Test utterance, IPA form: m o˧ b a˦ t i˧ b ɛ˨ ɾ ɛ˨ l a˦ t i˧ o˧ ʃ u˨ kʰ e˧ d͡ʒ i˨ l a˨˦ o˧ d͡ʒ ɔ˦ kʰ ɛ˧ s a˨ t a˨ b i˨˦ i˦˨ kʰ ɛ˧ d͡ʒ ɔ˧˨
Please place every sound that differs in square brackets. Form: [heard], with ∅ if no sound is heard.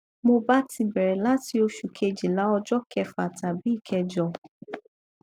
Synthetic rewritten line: m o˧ b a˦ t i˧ b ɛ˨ ɾ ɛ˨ l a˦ t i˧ o˧ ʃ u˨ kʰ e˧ d͡ʒ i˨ l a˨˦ [ɔ˧] d͡ʒ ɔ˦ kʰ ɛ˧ [f] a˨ t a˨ b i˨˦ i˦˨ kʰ ɛ˧ d͡ʒ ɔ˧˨